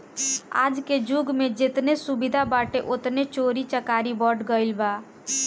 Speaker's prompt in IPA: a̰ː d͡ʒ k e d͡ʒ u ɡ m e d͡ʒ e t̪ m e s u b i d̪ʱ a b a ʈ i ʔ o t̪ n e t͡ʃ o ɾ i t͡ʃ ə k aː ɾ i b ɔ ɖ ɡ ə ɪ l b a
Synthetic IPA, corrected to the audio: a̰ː d͡ʒ k e d͡ʒ u ɡ m e d͡ʒ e t̪ n e s u b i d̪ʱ a b a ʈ e ʔ o t̪ n e t͡ʃ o ɾ i t͡ʃ ə k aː ɾ i b ɔ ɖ ɡ ə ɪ l b a